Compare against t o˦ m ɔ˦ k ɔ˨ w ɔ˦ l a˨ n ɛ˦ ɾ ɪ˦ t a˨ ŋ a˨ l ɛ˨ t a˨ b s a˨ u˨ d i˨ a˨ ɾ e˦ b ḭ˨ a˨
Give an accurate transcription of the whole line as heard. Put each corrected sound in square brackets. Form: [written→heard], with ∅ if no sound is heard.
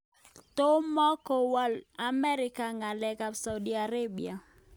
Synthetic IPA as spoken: t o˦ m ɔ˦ k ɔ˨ w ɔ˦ l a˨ [n→m] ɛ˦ ɾ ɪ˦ [t→k] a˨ ŋ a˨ l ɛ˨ [t→k] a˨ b s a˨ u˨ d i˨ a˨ ɾ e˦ b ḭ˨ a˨

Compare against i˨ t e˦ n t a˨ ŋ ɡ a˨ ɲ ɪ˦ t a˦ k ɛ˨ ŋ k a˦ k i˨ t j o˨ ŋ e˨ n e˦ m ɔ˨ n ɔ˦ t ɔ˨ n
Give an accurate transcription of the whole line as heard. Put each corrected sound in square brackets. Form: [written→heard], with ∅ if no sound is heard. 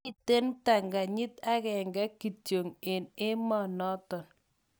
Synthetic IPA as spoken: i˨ t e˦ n t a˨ ŋ ɡ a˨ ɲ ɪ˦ t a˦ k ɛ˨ ŋ [k→ɡ] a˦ k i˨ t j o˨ ŋ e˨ n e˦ m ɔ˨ n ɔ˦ t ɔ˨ n

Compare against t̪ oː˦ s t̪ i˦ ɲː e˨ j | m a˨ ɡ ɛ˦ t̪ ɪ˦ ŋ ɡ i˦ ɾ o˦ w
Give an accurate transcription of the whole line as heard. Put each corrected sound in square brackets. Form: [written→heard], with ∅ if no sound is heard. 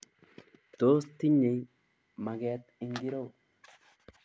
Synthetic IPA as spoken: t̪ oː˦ s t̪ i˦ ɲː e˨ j | m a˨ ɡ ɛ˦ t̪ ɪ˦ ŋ ɡ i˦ ɾ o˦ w

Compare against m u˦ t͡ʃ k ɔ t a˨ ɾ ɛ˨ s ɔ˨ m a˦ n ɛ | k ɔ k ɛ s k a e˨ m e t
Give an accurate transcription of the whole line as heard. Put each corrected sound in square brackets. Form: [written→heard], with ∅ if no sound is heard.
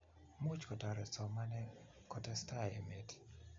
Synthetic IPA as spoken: m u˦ t͡ʃ k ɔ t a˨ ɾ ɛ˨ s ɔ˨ m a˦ n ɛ | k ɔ [k→t] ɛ s [k→t] a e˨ m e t

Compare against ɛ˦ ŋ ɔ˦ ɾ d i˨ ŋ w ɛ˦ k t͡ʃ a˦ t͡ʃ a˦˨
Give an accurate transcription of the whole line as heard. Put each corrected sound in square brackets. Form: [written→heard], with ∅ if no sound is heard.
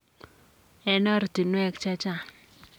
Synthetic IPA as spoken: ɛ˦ [ŋ→n] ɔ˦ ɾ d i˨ [ŋ→n] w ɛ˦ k t͡ʃ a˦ t͡ʃ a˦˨

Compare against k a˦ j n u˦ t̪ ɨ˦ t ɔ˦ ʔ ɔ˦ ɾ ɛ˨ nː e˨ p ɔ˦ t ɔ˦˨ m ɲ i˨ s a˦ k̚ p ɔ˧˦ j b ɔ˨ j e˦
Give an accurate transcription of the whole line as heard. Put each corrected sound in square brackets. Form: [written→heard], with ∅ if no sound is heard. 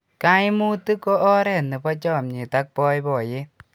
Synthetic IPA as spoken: k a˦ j [n→m] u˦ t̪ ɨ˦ [t→k] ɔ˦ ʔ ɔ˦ ɾ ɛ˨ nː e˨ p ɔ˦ [t→t͡ʃ] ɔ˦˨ m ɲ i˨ [s→t] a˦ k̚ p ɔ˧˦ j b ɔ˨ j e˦

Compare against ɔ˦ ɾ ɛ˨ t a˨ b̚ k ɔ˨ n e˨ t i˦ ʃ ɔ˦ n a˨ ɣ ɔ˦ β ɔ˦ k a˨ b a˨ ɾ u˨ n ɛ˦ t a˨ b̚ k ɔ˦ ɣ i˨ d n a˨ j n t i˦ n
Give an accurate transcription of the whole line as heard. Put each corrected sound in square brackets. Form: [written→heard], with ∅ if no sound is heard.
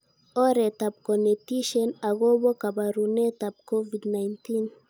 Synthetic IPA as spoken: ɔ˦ ɾ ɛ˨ t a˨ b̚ k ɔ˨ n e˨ t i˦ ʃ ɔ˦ n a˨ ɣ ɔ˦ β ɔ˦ k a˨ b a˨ ɾ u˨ n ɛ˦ t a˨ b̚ k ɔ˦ [ɣ→v] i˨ d n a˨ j n t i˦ n

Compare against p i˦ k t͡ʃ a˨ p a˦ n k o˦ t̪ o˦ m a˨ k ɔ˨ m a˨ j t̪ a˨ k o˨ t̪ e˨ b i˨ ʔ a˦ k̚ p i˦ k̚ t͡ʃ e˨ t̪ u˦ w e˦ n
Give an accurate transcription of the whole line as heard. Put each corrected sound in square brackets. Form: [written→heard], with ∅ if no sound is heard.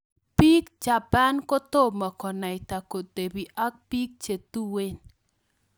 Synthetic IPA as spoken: p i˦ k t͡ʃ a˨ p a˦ n k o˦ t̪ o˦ m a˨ k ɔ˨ [m→n] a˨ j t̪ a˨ k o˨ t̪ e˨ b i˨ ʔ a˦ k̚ p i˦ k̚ t͡ʃ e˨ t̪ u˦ w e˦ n

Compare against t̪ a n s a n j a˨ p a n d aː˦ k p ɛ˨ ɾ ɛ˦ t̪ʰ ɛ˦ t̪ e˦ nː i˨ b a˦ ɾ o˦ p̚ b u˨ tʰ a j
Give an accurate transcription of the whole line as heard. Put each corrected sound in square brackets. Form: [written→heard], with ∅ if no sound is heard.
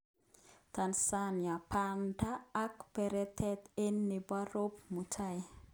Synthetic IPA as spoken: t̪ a n s a n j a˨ p a n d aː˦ k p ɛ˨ ɾ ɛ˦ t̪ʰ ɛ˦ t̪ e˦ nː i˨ b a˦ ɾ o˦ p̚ [b→m] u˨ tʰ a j

